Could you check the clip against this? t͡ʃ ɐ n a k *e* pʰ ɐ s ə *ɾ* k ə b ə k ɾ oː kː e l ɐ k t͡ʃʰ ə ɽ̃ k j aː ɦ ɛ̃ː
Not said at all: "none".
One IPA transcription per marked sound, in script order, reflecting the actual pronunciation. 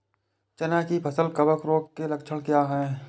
i, l

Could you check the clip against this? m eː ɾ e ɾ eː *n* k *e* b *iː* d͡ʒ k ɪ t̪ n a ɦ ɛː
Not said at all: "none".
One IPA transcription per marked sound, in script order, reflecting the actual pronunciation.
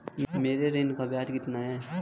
n, a, aː

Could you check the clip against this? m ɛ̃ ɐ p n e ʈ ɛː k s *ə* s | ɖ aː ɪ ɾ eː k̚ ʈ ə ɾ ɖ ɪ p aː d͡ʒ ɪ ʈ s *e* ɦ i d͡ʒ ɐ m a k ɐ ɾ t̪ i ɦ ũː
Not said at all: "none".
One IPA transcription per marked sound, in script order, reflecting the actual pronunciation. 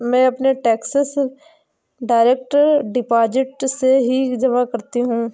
ə, e

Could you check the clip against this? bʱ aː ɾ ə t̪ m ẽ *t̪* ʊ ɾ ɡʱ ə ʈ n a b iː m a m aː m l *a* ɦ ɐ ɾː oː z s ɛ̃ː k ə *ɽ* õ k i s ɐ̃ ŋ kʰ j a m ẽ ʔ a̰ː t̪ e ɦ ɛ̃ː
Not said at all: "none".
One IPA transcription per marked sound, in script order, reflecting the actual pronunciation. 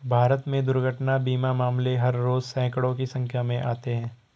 d̪, e, ɽ

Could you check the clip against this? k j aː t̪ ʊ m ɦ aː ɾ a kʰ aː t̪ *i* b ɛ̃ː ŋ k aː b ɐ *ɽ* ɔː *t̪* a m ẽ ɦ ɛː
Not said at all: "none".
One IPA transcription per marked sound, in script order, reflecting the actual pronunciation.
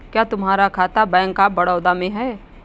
a, ɽ, d̪

